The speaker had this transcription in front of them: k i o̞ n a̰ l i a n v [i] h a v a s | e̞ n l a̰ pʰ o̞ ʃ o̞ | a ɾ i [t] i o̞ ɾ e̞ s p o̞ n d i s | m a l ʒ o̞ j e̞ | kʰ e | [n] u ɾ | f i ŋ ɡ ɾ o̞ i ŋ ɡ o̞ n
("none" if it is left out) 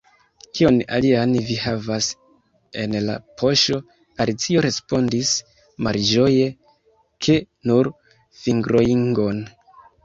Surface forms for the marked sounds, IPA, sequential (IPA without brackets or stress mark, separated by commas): i, t͡s, n